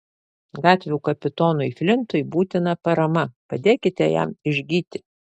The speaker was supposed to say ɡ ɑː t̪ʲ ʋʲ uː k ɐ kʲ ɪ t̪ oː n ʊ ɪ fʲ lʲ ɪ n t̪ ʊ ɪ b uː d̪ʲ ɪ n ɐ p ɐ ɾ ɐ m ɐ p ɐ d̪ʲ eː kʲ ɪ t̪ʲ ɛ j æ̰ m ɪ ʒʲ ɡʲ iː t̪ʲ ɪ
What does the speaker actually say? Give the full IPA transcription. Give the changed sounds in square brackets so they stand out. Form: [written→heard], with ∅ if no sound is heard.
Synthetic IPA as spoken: ɡ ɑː t̪ʲ ʋʲ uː k ɐ [kʲ→pʲ] ɪ t̪ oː n ʊ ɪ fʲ lʲ ɪ n t̪ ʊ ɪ b uː [d̪ʲ→t̪ʲ] ɪ n ɐ p ɐ ɾ ɐ m ɐ p ɐ d̪ʲ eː kʲ ɪ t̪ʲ ɛ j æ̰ m ɪ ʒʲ ɡʲ iː t̪ʲ ɪ

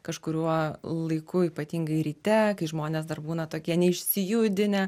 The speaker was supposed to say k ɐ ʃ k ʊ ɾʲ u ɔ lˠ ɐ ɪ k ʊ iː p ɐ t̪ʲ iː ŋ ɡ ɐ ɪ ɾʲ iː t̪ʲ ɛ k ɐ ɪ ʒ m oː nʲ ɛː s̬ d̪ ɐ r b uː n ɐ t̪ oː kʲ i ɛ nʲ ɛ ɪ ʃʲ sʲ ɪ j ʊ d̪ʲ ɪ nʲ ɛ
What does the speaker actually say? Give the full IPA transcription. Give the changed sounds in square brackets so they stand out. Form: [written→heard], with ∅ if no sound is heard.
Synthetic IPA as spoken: k ɐ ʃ k ʊ ɾʲ u ɔ lˠ ɐ ɪ k ʊ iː p ɐ t̪ʲ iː ŋ ɡ ɐ ɪ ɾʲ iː t̪ʲ ɛ k ɐ ɪ ʒ m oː nʲ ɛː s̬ d̪ ɐ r b uː n ɐ t̪ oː kʲ i ɛ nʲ ɛ ɪ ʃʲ sʲ ɪ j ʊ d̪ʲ ɪ nʲ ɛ

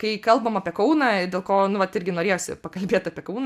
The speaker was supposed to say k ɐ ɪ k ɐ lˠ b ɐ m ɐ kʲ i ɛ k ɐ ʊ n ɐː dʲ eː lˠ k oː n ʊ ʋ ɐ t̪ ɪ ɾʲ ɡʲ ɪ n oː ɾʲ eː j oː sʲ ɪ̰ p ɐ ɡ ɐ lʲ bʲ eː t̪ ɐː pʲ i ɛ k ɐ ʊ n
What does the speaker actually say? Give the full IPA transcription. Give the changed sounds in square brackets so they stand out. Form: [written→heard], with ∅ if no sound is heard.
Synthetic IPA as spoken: k ɐ ɪ k ɐ lˠ b ɐ m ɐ [kʲ→pʲ] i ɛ k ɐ ʊ n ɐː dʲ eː lˠ k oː n ʊ ʋ ɐ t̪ ɪ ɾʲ ɡʲ ɪ n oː ɾʲ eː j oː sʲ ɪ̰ p ɐ [ɡ→k] ɐ lʲ bʲ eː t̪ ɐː pʲ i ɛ k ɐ ʊ n

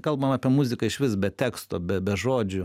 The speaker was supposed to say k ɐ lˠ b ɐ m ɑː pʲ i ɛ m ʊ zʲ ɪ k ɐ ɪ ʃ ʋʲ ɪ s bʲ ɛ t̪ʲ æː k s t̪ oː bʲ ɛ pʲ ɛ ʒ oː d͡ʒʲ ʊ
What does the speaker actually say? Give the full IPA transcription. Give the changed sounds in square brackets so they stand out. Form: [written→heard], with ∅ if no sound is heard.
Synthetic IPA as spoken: k ɐ lˠ b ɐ m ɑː pʲ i ɛ m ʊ zʲ ɪ k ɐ ɪ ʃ ʋʲ ɪ s bʲ ɛ t̪ʲ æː k s t̪ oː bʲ ɛ [pʲ→bʲ] ɛ ʒ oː d͡ʒʲ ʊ

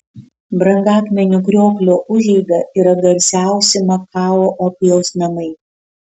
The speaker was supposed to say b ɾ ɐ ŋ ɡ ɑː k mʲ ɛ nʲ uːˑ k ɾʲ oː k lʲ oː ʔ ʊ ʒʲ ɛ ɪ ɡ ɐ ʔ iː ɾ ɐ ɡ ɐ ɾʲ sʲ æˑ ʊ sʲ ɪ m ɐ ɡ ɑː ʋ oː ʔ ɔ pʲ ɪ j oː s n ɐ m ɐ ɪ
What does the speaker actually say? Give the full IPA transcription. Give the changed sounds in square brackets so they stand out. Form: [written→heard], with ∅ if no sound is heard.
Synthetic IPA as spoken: b ɾ ɐ ŋ ɡ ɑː k mʲ ɛ nʲ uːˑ k ɾʲ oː k lʲ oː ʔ ʊ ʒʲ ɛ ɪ ɡ ɐ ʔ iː ɾ ɐ ɡ ɐ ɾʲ sʲ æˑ ʊ sʲ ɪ m ɐ [ɡ→k] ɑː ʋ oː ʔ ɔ pʲ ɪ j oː s n ɐ m ɐ ɪ

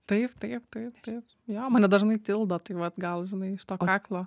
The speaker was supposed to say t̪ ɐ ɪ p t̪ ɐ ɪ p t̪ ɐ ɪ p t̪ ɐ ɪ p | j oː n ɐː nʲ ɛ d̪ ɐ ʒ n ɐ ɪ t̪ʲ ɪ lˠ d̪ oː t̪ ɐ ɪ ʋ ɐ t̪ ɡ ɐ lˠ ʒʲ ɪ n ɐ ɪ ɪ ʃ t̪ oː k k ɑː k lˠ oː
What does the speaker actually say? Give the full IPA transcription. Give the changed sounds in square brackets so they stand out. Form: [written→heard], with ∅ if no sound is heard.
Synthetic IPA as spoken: t̪ ɐ ɪ p t̪ ɐ ɪ p t̪ ɐ ɪ p t̪ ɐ ɪ p | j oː [n→m] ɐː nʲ ɛ d̪ ɐ ʒ n ɐ ɪ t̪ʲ ɪ lˠ d̪ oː t̪ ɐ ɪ ʋ ɐ t̪ ɡ ɐ lˠ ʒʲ ɪ n ɐ ɪ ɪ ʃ t̪ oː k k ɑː k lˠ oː

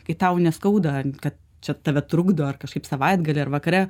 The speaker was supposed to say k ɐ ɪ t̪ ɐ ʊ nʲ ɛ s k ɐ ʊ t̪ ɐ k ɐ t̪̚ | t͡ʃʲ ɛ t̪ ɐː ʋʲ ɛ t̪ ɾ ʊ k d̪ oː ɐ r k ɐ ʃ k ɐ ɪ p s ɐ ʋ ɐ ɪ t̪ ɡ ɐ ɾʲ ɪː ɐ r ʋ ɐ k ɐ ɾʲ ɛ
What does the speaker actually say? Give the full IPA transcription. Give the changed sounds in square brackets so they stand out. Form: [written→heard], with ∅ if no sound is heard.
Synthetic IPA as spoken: k ɐ ɪ t̪ ɐ ʊ nʲ ɛ s k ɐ ʊ [t̪→d̪] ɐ k ɐ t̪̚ | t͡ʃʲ ɛ t̪ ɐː ʋʲ ɛ t̪ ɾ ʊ [k→ɡ] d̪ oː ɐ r k ɐ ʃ k ɐ ɪ p s ɐ ʋ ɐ ɪ [t̪→d̪] ɡ ɐ [ɾʲ→lʲ] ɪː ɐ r ʋ ɐ k ɐ ɾʲ ɛ

